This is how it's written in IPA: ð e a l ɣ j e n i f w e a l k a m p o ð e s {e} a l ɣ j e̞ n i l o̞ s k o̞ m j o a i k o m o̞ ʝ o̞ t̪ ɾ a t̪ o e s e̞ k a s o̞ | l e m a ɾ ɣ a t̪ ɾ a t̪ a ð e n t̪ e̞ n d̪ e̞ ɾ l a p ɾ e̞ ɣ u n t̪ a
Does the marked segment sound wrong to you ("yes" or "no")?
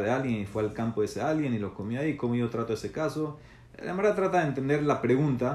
no